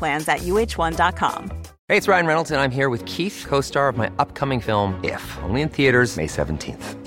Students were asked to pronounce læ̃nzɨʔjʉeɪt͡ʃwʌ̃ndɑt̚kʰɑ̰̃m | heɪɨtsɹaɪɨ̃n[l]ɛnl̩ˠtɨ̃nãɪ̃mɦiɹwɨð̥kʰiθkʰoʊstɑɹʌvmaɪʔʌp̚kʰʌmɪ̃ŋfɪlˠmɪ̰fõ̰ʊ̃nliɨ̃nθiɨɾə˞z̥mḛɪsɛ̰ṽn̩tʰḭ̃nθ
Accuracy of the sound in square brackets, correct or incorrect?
incorrect